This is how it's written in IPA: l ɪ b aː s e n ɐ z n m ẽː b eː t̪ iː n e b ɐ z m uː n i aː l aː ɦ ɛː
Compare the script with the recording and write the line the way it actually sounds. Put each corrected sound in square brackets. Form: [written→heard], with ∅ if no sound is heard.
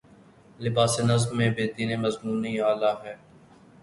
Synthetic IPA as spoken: l ɪ b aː s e n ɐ z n m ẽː b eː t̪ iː n e [b→m] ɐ z m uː n i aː l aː ɦ ɛː